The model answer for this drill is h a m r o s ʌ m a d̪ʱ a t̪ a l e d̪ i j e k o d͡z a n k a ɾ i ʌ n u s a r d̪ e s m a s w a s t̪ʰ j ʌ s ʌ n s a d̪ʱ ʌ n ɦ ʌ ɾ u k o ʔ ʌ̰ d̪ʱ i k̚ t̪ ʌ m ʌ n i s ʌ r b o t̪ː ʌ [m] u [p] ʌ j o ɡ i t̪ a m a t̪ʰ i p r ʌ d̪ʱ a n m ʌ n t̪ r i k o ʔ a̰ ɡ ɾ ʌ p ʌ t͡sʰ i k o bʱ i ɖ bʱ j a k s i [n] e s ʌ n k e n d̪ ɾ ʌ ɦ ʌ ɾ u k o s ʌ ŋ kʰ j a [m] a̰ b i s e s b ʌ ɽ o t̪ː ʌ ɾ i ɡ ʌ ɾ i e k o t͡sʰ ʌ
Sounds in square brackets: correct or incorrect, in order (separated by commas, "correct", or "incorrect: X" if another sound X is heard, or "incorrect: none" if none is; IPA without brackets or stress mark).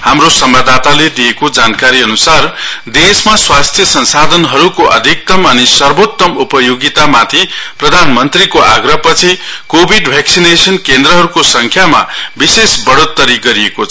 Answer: correct, correct, correct, correct